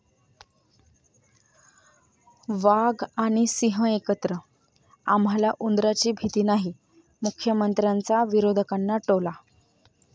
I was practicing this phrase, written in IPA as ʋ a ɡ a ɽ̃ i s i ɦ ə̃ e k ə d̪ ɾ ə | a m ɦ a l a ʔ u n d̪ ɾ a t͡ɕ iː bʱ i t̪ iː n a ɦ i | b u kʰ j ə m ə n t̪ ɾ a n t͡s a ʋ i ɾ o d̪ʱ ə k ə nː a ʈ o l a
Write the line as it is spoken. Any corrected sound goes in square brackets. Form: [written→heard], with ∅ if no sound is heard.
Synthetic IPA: ʋ a ɡ a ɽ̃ i s i ɦ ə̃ e k ə [d̪→t̪] ɾ ə | a m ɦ a l a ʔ u n d̪ ɾ a t͡ɕ iː bʱ i t̪ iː n a ɦ i | [b→m] u kʰ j ə m ə n t̪ ɾ a n t͡s a ʋ i ɾ o d̪ʱ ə k [ə→a] nː a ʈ o l a